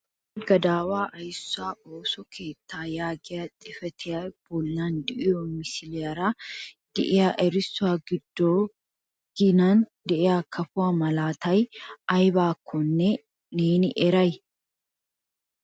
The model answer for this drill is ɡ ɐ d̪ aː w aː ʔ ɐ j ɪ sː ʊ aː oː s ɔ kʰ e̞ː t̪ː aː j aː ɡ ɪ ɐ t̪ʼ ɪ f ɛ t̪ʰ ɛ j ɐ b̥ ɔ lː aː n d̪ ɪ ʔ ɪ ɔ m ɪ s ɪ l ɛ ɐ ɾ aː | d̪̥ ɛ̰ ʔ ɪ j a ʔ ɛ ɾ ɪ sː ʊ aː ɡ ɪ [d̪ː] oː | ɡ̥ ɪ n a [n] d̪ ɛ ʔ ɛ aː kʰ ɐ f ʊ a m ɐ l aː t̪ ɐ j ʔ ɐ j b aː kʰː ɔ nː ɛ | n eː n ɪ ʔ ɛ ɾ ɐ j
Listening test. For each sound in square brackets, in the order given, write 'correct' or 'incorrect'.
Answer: correct, correct

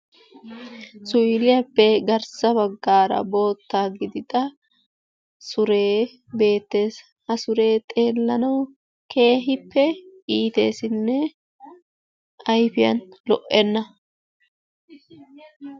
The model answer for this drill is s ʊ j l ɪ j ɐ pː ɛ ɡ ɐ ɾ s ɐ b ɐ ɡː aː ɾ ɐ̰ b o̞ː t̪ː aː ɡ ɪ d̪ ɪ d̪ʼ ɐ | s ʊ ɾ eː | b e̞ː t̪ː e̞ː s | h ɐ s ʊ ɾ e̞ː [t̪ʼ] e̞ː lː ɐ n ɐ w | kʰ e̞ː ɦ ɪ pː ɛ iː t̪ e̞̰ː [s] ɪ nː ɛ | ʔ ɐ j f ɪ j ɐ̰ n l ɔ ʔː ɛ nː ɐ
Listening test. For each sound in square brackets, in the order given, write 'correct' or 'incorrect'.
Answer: correct, correct

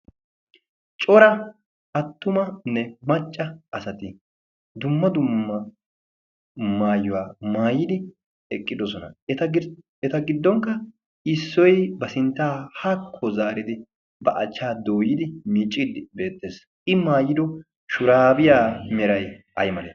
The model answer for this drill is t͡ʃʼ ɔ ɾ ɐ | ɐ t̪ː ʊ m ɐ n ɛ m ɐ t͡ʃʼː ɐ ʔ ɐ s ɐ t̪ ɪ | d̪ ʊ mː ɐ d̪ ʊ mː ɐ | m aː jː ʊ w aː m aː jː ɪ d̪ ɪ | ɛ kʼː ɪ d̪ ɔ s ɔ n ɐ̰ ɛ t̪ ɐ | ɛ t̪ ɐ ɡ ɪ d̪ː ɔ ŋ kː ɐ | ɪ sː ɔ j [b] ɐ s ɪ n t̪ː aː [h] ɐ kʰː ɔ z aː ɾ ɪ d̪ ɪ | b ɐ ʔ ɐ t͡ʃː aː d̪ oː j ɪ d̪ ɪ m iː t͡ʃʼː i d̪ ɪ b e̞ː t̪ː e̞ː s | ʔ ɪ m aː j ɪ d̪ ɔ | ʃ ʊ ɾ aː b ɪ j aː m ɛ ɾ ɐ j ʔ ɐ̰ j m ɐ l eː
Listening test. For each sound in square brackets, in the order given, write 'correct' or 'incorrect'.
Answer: correct, correct

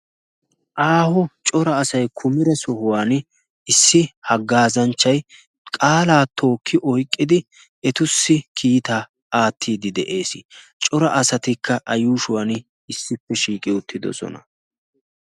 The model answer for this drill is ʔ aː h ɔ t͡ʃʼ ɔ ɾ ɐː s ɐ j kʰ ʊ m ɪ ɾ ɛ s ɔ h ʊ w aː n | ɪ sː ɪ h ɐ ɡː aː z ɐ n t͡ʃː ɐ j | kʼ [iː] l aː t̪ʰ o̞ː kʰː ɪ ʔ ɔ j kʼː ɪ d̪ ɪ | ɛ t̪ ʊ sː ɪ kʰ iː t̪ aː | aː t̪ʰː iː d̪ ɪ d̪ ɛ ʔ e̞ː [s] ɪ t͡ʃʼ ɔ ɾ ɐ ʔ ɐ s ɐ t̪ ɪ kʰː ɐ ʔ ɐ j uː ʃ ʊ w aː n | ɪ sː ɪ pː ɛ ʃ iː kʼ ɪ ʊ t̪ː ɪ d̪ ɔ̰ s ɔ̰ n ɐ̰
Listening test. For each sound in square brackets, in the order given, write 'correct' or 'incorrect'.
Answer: incorrect: aː, correct

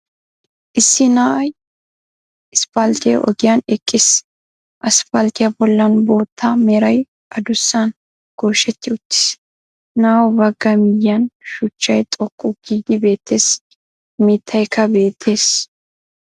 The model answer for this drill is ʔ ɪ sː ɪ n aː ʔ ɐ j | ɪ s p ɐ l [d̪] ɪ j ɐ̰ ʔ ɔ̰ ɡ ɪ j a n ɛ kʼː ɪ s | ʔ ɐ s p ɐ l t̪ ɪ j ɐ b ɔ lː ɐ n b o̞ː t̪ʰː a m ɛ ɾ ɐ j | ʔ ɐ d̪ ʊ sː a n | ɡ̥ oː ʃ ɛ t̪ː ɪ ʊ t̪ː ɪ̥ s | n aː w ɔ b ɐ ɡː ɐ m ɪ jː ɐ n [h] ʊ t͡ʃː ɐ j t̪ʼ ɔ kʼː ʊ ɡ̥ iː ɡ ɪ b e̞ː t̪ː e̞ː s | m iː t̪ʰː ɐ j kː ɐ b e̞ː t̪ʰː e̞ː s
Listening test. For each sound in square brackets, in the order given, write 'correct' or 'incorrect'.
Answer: incorrect: t̪, incorrect: ʃ

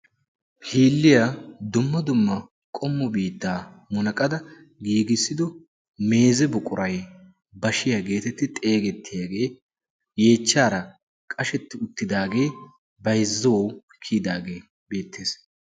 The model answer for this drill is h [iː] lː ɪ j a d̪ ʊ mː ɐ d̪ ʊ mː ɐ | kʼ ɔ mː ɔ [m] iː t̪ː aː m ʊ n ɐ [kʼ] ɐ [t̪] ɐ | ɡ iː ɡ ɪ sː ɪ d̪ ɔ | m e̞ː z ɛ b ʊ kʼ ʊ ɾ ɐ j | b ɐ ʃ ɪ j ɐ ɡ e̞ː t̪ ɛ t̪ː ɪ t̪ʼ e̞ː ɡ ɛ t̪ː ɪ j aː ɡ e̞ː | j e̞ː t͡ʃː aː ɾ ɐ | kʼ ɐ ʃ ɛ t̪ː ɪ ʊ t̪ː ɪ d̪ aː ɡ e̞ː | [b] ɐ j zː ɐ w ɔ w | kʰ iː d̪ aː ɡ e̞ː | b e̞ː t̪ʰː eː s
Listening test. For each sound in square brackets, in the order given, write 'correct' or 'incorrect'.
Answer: correct, incorrect: b, correct, incorrect: d̪, correct

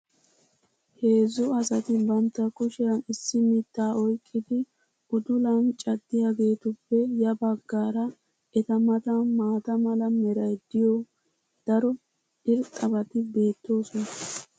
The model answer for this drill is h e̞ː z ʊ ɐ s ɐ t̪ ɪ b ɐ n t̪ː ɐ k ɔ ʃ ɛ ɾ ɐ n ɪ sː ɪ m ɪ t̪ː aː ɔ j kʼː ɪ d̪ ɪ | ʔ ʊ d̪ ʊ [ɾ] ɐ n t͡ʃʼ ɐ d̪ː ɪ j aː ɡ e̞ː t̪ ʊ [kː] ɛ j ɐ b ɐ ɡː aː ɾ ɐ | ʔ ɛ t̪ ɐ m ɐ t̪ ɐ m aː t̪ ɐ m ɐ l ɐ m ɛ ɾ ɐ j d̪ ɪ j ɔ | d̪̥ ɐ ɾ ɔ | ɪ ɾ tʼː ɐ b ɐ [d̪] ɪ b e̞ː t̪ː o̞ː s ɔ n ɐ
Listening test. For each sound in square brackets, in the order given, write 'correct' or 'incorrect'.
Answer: incorrect: l, incorrect: pː, incorrect: t̪

